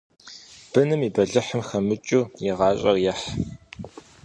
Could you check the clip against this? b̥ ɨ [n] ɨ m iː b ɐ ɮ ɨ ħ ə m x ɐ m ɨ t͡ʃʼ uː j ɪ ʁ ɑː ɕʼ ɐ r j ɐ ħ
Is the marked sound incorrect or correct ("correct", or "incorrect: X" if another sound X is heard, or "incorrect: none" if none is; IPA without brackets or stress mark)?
correct